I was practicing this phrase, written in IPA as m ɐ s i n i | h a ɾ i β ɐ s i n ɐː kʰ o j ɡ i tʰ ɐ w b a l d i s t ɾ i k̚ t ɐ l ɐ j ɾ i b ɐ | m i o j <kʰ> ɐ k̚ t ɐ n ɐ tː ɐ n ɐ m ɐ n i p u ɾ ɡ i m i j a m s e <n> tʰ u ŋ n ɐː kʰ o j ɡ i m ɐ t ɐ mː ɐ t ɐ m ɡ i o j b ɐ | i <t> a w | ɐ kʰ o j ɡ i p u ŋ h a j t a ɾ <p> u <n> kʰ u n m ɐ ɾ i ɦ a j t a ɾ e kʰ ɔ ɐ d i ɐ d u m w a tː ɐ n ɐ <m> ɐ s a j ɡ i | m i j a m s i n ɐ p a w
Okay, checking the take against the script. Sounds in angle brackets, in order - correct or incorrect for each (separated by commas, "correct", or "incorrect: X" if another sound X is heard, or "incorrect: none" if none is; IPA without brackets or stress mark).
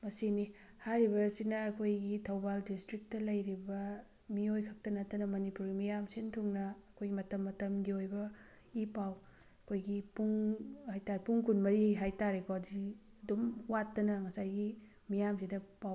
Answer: correct, correct, incorrect: p, correct, incorrect: ŋ, incorrect: ŋ